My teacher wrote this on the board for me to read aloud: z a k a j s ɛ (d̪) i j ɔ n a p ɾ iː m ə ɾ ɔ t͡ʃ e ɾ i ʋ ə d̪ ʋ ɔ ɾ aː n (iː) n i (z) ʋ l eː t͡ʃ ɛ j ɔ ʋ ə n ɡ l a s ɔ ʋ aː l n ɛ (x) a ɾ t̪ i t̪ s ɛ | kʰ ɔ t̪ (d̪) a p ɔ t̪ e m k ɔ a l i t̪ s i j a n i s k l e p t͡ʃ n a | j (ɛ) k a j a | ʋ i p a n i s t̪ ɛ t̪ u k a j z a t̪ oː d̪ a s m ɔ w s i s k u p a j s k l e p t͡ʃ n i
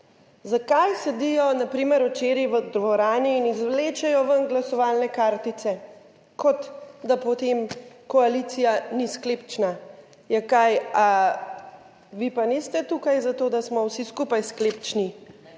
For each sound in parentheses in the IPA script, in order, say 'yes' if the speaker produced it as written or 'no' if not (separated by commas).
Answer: yes, yes, yes, no, yes, yes